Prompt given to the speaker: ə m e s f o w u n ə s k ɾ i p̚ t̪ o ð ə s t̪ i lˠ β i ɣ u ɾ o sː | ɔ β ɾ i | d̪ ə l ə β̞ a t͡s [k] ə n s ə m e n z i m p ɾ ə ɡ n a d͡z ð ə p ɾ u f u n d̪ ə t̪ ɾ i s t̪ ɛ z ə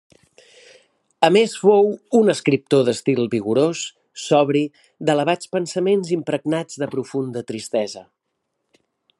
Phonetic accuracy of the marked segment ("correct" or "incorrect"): incorrect